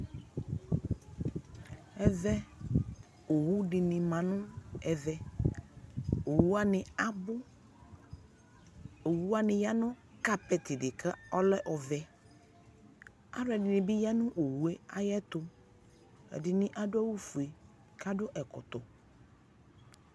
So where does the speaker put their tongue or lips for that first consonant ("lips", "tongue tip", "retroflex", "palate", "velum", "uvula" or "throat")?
lips